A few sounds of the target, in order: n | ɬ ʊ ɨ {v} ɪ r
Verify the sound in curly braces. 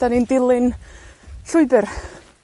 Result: incorrect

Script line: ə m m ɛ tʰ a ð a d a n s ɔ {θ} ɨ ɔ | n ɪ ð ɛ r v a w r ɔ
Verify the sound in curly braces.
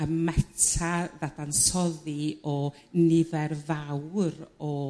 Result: incorrect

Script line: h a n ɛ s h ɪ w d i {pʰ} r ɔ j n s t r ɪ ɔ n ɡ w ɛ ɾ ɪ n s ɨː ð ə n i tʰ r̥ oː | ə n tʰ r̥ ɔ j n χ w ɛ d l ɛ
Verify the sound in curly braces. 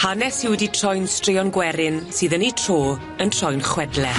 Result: incorrect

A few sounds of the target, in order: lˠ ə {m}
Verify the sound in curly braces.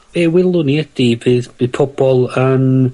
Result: incorrect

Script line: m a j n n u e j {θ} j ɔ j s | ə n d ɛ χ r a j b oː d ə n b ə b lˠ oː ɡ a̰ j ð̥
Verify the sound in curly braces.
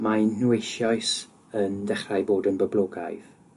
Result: incorrect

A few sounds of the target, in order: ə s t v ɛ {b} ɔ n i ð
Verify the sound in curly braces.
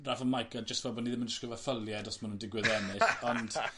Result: correct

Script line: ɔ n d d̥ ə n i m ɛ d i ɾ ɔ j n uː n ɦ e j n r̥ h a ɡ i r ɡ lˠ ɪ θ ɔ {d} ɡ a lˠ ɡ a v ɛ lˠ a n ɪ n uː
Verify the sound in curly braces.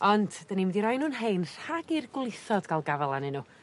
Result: correct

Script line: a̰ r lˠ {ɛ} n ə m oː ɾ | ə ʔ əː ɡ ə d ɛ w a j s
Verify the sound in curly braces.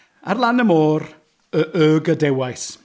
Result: incorrect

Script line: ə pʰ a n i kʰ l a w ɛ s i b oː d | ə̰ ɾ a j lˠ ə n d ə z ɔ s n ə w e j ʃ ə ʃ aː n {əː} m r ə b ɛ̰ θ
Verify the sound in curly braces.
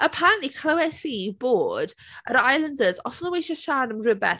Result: incorrect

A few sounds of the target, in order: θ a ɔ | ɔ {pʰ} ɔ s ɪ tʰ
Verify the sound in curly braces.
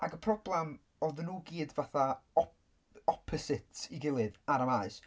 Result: correct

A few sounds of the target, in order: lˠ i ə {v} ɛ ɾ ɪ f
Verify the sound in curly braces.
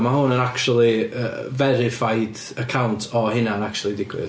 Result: correct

